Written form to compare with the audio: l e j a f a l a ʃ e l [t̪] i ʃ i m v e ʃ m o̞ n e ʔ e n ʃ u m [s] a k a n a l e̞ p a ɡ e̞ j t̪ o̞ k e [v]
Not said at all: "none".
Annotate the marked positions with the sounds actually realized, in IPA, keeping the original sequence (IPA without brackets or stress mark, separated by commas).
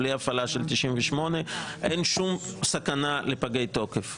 t̪, s, f